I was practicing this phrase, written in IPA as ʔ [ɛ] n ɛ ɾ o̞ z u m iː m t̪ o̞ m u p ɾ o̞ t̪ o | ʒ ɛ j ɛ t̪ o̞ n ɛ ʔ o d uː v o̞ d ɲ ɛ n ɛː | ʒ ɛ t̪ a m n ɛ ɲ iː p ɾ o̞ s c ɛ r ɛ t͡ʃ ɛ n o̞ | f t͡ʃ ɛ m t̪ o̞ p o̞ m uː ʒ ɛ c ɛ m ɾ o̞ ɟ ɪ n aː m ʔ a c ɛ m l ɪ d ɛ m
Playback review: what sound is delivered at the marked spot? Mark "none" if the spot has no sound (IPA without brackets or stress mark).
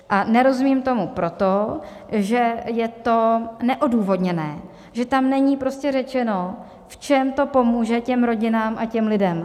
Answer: a